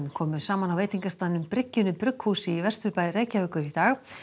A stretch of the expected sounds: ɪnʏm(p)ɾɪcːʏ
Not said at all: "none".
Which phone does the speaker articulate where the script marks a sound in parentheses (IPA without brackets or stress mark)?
p